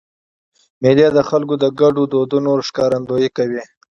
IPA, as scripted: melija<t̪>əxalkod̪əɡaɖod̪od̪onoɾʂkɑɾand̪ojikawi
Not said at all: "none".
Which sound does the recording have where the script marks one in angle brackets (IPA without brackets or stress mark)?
d̪